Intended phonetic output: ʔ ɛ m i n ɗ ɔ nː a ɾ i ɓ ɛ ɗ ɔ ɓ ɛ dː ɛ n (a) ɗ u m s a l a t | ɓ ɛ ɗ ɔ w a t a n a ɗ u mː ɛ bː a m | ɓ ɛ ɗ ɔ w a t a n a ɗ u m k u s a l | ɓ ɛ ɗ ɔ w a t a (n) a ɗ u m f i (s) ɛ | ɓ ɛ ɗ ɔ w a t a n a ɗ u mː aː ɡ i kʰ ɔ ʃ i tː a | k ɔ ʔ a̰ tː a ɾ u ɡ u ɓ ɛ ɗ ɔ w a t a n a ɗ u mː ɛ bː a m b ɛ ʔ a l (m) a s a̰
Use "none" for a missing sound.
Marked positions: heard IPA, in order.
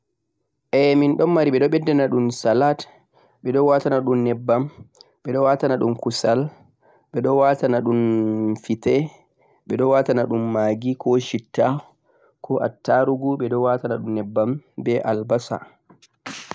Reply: a, n, t, b

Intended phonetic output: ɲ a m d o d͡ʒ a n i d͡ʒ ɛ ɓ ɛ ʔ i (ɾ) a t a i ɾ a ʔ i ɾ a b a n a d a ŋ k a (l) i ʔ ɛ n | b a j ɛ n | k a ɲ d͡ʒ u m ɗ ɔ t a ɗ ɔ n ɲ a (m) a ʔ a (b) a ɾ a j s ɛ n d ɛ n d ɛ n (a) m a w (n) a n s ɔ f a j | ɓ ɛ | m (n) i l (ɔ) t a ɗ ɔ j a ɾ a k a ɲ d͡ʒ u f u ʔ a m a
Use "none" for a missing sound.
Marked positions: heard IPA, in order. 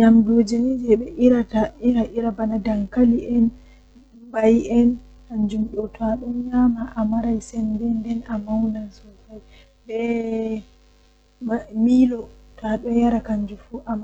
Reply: ɾ, l, m, m, a, n, m, ɔ

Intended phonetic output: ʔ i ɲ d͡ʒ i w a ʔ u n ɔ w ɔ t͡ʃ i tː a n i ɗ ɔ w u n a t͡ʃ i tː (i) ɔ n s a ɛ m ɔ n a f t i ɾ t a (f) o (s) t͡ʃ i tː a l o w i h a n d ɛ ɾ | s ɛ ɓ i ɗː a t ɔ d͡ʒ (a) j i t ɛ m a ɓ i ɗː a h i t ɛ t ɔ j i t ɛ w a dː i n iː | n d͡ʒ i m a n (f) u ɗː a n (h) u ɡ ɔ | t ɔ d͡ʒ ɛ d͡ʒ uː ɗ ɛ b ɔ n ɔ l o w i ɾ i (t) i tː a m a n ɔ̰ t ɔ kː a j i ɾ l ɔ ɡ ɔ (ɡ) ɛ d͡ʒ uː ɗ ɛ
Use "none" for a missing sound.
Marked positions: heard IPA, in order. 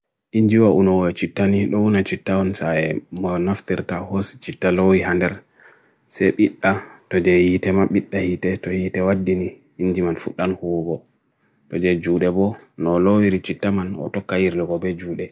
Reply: a, h, s, ɛ, f, h, t͡ʃ, b

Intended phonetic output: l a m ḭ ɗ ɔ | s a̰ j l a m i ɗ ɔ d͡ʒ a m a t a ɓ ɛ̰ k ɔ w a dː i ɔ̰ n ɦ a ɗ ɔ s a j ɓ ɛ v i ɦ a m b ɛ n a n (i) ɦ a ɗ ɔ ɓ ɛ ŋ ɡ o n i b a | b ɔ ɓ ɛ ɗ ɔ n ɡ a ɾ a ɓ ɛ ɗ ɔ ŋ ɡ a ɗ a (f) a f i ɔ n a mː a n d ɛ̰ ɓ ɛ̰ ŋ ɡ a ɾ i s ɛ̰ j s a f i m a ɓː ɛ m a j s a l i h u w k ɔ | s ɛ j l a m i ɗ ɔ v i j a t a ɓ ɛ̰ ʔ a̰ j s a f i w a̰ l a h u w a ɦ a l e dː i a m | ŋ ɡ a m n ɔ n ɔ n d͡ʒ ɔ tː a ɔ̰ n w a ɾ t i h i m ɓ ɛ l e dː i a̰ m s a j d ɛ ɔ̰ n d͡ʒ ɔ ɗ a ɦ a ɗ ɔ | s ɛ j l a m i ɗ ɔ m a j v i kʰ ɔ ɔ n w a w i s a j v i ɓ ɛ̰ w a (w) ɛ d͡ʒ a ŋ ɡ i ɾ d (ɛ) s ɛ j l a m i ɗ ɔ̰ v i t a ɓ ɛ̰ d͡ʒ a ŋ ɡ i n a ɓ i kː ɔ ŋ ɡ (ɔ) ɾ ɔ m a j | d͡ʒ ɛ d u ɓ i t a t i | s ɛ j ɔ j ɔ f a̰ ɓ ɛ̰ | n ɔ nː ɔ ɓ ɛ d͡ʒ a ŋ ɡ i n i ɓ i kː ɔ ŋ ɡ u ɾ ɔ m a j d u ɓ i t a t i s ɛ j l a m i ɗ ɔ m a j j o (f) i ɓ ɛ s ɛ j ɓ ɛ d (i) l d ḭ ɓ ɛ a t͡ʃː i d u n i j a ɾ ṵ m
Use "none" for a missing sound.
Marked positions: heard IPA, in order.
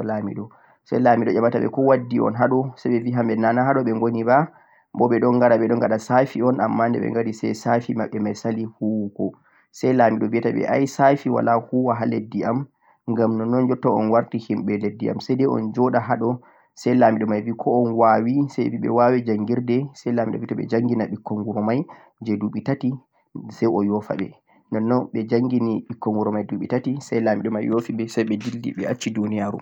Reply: a, s, w, ɛ, u, f, i

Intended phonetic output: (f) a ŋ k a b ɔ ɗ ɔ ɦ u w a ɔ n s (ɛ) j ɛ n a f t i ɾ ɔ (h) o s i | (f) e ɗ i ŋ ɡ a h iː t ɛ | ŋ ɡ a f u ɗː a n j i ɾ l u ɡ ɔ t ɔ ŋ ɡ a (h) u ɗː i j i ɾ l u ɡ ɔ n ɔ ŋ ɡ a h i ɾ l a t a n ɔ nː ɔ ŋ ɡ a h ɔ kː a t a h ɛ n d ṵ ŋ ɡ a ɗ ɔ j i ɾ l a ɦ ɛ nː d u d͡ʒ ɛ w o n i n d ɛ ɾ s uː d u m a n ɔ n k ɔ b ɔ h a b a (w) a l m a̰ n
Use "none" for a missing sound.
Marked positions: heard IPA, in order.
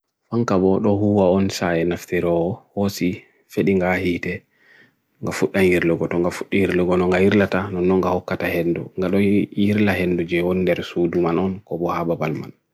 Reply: f, a, h, f, f, b

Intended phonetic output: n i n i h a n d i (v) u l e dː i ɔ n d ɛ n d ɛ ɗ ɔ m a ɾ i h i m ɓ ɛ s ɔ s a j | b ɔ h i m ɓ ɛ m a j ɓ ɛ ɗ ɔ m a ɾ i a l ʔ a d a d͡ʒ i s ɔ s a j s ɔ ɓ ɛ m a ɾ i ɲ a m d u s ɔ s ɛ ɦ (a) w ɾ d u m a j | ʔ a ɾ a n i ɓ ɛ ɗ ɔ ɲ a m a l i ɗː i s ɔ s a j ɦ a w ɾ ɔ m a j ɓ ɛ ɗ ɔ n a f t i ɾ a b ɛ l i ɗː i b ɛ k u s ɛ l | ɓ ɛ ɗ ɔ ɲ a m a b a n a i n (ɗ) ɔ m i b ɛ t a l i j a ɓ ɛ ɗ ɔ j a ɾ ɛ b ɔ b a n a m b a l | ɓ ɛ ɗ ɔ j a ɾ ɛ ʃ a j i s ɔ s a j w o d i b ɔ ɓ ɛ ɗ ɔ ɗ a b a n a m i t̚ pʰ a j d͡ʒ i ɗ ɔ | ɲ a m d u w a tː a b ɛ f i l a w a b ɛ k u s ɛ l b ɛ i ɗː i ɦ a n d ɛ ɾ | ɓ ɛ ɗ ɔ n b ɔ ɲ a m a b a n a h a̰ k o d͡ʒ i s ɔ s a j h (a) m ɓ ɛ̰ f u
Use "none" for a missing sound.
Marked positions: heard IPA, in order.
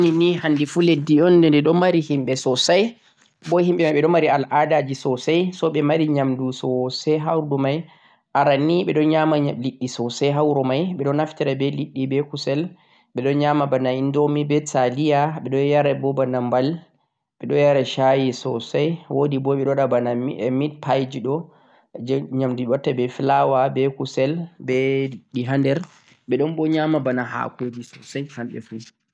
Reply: f, a, d, a

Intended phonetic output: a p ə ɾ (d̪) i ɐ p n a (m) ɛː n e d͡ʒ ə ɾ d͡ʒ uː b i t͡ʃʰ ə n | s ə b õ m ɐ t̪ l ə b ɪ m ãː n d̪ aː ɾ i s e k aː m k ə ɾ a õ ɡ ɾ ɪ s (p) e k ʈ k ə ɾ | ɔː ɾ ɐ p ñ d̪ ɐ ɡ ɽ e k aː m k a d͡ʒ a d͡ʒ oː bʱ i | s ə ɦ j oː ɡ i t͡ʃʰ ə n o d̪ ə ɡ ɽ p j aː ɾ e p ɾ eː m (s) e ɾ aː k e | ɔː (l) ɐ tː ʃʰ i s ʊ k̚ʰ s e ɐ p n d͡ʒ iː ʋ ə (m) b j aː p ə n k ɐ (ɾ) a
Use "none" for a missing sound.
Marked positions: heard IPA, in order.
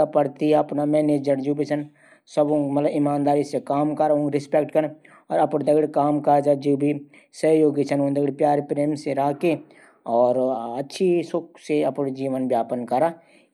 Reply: t̪, m, p, s, ɾ, n, ɾ

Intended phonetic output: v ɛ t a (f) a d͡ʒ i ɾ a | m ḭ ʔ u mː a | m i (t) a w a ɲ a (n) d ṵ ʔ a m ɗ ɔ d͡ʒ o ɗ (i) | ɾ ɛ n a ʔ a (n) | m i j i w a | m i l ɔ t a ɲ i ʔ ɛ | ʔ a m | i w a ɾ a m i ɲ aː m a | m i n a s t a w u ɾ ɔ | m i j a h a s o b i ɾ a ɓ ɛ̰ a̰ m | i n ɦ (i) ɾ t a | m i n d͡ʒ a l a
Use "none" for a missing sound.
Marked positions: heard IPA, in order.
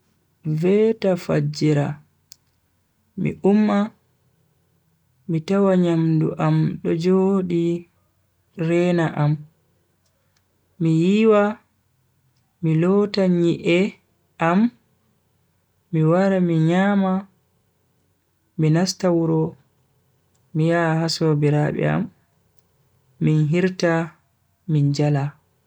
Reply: f, t, m, i, m, i

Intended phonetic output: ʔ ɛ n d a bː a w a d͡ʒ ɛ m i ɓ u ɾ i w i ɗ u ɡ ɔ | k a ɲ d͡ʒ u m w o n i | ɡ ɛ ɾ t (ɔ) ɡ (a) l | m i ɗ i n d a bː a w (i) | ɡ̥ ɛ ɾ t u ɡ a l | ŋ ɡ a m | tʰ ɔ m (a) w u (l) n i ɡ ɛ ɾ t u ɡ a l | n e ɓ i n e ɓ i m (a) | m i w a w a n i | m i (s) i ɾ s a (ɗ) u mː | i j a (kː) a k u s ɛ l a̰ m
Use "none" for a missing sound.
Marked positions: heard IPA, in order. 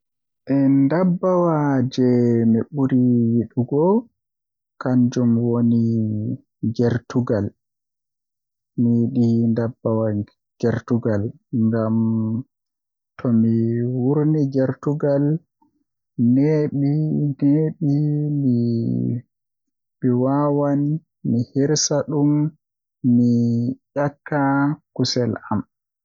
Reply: u, a, a, i, ɾ, i, h, ɗ, kː

